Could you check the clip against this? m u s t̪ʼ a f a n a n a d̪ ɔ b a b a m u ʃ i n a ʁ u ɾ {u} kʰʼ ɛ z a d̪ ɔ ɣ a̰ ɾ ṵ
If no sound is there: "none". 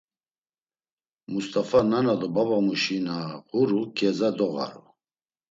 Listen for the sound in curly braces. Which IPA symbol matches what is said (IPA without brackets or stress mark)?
u